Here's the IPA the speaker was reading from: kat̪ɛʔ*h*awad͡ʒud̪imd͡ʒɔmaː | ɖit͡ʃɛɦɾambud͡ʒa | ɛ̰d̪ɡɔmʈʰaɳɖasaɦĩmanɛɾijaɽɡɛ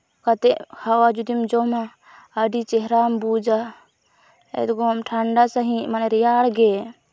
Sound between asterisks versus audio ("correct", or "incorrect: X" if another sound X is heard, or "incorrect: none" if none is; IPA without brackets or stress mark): correct